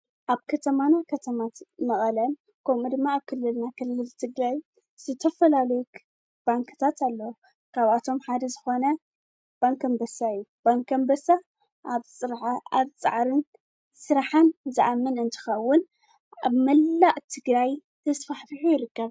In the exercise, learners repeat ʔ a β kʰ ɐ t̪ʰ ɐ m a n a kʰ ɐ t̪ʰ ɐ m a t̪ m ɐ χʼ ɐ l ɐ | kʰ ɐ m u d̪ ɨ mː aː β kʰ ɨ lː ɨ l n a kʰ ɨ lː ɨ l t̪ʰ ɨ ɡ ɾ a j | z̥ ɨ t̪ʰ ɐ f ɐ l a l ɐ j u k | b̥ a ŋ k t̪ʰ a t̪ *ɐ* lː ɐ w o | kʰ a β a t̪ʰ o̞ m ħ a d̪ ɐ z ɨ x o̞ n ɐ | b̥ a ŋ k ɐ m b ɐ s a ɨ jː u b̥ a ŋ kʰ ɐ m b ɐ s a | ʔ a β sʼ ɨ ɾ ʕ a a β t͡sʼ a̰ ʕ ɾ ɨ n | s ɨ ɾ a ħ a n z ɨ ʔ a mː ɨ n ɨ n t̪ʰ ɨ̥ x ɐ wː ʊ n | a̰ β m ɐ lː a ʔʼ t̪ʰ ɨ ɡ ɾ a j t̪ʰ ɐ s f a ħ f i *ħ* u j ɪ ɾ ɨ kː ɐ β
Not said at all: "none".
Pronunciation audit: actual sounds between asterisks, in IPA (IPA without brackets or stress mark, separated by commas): a, ħ